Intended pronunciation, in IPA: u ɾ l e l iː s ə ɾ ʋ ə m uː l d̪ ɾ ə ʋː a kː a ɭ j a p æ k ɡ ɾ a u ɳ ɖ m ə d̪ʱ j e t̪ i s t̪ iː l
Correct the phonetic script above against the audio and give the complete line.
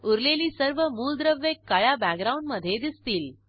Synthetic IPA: u ɾ l e l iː s ə ɾ ʋ ə m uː l d̪ ɾ ə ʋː e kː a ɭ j a b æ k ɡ ɾ a u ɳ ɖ m ə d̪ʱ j e d̪ i s t̪ iː l